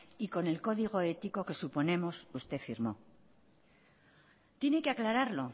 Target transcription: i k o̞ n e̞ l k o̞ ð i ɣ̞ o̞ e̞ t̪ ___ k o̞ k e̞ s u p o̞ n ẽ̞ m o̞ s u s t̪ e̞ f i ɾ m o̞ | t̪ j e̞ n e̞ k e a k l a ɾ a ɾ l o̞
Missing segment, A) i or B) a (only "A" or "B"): A